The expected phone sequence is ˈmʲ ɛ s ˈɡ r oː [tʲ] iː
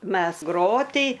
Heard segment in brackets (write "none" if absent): tʲ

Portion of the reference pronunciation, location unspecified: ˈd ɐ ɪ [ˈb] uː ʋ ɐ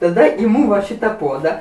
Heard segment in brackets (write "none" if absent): m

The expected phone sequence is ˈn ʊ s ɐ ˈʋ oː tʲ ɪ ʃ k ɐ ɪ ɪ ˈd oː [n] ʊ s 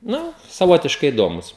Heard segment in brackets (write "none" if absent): m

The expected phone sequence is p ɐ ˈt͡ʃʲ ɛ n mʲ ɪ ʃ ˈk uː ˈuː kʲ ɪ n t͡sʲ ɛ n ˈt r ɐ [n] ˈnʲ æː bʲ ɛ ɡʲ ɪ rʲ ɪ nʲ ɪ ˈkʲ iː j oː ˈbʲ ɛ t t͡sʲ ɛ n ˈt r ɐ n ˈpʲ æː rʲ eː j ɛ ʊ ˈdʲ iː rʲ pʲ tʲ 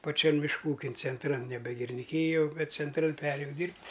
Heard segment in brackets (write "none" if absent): n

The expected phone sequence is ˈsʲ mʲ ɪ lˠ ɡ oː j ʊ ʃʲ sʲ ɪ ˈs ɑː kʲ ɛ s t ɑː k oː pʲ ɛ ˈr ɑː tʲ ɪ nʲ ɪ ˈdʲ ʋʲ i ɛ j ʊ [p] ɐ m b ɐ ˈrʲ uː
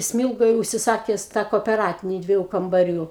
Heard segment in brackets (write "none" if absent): k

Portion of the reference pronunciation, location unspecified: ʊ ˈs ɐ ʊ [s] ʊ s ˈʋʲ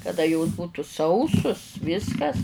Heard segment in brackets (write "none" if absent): s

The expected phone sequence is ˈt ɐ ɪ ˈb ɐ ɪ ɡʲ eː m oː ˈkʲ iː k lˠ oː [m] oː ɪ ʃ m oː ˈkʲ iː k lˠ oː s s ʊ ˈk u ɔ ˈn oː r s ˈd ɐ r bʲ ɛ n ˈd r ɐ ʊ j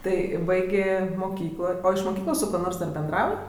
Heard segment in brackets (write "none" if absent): none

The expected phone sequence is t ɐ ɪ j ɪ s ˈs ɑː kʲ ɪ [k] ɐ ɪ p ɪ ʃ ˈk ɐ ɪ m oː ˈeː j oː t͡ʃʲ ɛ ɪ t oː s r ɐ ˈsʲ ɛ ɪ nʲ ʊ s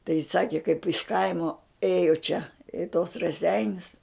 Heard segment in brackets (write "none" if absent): k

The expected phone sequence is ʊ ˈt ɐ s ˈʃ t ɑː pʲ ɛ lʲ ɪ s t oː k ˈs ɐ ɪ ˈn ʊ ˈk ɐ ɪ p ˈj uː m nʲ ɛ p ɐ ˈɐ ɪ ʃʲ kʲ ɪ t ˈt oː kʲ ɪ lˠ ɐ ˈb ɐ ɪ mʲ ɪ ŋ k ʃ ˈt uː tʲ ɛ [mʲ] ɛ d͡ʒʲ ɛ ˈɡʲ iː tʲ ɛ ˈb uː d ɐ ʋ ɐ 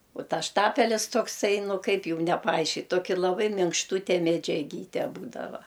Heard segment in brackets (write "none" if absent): mʲ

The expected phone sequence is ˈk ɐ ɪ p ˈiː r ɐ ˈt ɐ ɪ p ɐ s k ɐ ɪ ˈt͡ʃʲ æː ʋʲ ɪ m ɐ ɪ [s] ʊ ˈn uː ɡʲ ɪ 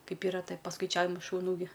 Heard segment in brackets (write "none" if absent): ʃ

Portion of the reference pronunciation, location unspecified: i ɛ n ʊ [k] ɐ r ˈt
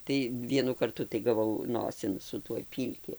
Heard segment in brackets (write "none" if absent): k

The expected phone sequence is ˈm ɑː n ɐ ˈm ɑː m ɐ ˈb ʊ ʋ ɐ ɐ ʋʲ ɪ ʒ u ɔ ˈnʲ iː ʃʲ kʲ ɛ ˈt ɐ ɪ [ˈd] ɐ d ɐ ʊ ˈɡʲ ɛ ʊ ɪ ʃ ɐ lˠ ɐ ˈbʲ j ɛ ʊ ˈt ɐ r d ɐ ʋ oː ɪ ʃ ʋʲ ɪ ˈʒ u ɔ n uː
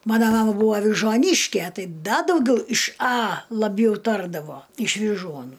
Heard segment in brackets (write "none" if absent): d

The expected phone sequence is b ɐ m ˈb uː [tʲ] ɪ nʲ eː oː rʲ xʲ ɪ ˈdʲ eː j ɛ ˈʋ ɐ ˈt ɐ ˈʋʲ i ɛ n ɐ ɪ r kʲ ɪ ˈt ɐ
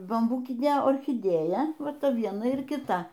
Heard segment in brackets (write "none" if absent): kʲ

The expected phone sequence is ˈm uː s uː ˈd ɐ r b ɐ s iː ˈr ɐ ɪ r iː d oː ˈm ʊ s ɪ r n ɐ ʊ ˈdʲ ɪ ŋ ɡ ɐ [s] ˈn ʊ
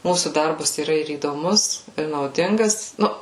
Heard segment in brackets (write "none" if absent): s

